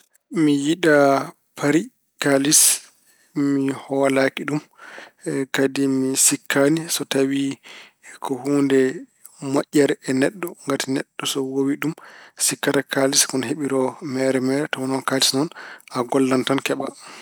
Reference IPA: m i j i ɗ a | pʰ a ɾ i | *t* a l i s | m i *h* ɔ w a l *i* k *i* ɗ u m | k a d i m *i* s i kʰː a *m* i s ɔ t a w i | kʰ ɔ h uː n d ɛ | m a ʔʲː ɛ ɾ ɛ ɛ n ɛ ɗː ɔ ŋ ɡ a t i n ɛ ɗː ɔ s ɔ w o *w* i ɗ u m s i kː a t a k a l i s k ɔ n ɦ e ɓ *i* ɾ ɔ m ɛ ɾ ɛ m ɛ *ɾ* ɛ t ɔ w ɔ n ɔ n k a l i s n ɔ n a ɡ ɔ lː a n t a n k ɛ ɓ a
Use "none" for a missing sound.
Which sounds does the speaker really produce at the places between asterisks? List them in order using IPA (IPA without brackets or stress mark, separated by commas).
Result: k, h, a, i, i, n, w, i, ɾ